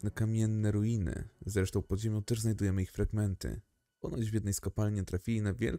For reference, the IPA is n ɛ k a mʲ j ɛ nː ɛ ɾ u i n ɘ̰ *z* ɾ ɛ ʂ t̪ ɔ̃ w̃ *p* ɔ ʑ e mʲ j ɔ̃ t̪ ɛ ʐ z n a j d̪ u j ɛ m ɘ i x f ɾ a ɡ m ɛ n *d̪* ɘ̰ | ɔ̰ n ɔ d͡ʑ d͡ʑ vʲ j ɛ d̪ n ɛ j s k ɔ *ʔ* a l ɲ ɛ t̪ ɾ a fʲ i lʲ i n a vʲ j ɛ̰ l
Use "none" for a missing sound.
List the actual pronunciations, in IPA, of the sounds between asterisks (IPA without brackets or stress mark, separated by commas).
z, p, t̪, p